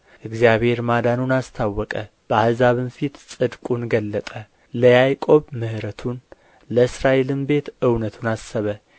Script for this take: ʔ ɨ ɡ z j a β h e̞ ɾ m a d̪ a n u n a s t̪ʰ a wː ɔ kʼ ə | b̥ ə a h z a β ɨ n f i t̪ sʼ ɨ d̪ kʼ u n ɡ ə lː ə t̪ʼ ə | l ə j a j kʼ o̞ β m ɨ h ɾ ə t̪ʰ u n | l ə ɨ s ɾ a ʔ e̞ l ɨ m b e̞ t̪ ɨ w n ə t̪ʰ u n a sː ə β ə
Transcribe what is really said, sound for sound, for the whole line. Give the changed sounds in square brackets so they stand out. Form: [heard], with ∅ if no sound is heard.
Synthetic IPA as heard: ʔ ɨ ɡ z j a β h e̞ ɾ m a d̪ a n u n a s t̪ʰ a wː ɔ kʼ ə | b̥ ə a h z a β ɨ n f i t̪ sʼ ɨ d̪ kʼ u n ɡ ə lː ə t̪ʼ ə | l ə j a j kʼ o̞ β m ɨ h ɾ ə t̪ʰ u n | l ə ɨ s ɾ a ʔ e̞ l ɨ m b e̞ t̪ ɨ w n ə t̪ʰ u n a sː ə β ə

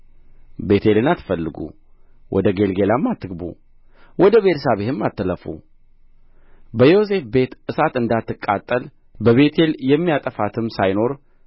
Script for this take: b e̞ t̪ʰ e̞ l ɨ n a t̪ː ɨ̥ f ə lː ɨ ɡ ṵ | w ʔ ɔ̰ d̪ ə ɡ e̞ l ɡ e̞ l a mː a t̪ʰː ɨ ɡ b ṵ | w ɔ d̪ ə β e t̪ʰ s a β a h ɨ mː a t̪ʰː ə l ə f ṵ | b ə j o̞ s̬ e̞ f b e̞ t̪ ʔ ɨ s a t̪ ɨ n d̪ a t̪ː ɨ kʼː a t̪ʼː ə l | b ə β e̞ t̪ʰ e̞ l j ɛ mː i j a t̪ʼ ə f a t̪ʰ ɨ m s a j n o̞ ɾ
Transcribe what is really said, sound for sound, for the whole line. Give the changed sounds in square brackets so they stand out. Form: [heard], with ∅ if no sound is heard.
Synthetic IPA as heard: b e̞ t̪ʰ e̞ l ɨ n a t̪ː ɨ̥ f ə lː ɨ ɡ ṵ | w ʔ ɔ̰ d̪ ə ɡ e̞ l ɡ e̞ l a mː a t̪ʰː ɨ ɡ b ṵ | w ɔ d̪ ə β e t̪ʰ s a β [e] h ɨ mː a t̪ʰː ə l ə f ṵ | b ə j o̞ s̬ e̞ f b e̞ t̪ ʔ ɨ s a t̪ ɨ n d̪ a t̪ː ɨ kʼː a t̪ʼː ə l | b ə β e̞ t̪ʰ e̞ l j ɛ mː i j a t̪ʼ ə f a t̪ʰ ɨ m s a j n o̞ ɾ

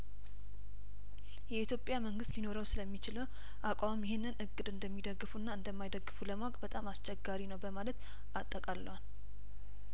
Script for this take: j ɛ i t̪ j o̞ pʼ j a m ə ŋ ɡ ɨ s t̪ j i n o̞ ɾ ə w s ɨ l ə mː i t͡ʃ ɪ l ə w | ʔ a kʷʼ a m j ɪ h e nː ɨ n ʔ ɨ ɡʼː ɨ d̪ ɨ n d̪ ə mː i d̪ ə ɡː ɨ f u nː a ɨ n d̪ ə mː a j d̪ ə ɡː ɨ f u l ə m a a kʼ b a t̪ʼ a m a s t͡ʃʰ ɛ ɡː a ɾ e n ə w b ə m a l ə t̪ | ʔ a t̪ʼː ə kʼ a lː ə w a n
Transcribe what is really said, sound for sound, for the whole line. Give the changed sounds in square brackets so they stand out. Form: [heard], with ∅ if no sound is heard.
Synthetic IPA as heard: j ɛ i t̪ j o̞ pʼ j a m ə ŋ ɡ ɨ s t̪ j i n o̞ ɾ ə w s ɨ l ə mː i t͡ʃ ɪ l ə w | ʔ a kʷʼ a m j ɪ h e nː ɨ n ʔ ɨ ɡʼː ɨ d̪ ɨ n d̪ ə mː i d̪ ə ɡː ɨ f u nː a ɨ n d̪ ə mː a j d̪ ə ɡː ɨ f u l ə m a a kʼ b [ə] t̪ʼ a m a s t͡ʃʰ ɛ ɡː a ɾ [i] n ə w b ə m a l ə t̪ | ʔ a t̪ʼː ə kʼ a lː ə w a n

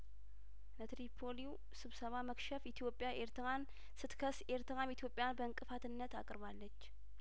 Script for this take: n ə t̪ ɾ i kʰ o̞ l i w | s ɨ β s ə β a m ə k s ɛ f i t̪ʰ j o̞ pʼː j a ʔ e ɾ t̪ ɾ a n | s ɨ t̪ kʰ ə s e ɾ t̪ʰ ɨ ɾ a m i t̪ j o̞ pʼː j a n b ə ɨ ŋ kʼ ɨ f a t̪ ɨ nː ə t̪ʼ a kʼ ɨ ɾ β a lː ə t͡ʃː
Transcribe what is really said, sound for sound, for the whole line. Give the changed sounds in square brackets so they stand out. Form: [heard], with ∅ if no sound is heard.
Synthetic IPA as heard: n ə t̪ ɾ i [pʰ] o̞ l i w | s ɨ β s ə β a m ə k [ʃ] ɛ f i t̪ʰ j o̞ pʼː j a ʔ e ɾ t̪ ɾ a n | s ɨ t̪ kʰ ə s e ɾ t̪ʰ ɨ ɾ a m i t̪ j o̞ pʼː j a n b ə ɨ ŋ kʼ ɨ f a t̪ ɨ nː ə [t̪] a kʼ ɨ ɾ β a lː ə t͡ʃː

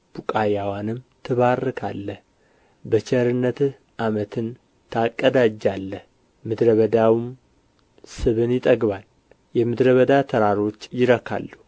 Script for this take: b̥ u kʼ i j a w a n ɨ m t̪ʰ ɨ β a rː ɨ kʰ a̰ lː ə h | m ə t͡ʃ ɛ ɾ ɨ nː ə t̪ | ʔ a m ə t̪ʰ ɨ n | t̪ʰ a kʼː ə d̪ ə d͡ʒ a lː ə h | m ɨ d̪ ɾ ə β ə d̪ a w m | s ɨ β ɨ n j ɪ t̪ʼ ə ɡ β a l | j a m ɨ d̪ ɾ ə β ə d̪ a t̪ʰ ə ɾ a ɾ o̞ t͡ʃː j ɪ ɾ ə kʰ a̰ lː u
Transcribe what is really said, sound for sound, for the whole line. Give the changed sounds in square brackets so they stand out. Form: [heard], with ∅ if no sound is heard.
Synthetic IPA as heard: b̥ u kʼ [a] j a w a n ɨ m t̪ʰ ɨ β a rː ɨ kʰ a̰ lː ə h | [b] ə t͡ʃ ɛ ɾ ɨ nː ə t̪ | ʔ a m ə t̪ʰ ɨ n | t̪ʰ a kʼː ə d̪ [a] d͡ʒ a lː ə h | m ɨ d̪ ɾ ə β ə d̪ a w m | s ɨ β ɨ n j ɪ t̪ʼ ə ɡ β a l | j [ɛ] m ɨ d̪ ɾ ə β ə d̪ a t̪ʰ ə ɾ a ɾ o̞ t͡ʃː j ɪ ɾ ə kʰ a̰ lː u

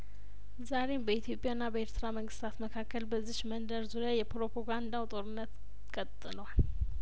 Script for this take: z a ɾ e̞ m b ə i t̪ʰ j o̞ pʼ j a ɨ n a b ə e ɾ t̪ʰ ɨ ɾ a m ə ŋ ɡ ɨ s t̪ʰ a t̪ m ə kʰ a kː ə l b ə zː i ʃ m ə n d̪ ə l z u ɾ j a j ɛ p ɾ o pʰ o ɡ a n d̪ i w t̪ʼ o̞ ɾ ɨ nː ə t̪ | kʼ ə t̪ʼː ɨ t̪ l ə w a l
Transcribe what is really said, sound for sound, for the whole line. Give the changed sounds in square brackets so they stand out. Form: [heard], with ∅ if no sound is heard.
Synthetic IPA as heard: z a ɾ e̞ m b ə i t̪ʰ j o̞ pʼ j a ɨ [nː] a b ə e ɾ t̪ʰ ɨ ɾ a m ə ŋ ɡ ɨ s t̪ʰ a t̪ m ə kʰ a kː ə l b ə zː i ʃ m ə n d̪ ə [ɾ] z u ɾ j a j ɛ p ɾ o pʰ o ɡ a n d̪ [a] w t̪ʼ o̞ ɾ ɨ nː ə t̪ | kʼ ə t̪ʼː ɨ [∅] l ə w a l

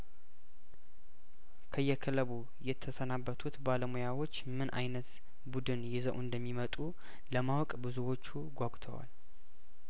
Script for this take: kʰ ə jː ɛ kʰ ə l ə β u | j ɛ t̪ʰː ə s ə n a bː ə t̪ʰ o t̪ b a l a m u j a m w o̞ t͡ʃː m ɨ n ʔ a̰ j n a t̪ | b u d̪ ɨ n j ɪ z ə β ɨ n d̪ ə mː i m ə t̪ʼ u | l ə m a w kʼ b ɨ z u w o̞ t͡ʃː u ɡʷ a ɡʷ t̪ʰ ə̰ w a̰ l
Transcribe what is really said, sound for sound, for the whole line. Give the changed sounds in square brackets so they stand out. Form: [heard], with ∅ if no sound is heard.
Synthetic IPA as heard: kʰ ə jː ɛ kʰ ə l ə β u | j ɛ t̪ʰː ə s ə n a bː ə t̪ʰ [u] t̪ b a l [ə] m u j a [∅] w o̞ t͡ʃː m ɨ n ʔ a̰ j n [ə] t̪ | b u d̪ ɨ n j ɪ z ə [w] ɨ n d̪ ə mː i m ə t̪ʼ u | l ə m a w kʼ b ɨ z u w o̞ t͡ʃː u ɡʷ a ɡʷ t̪ʰ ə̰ w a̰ l

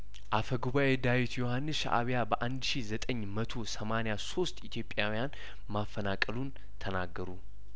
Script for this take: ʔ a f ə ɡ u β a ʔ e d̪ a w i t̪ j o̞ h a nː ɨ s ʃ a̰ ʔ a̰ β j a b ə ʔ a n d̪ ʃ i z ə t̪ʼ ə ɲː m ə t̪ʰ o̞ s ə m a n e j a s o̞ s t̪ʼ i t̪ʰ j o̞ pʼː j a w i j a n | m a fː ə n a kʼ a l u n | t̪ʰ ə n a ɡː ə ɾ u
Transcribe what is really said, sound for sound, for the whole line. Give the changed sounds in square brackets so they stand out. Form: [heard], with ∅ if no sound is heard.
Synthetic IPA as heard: ʔ a f ə ɡ u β a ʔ e d̪ a w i t̪ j o̞ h a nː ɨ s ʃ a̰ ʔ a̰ β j a b ə ʔ a n d̪ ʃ i z ə t̪ʼ ə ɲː m ə t̪ʰ o̞ s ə m a n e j a s o̞ s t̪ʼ i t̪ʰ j o̞ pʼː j a w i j a n | m a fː ə n a kʼ [ə] l u n | t̪ʰ ə n a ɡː ə ɾ u

